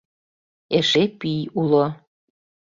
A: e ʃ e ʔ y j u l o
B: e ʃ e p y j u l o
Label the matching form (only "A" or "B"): B